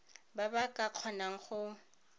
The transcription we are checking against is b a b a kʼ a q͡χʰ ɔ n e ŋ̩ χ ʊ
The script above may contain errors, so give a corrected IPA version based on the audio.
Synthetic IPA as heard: b a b a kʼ a q͡χʰ ɔ n a ŋ̩ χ ʊ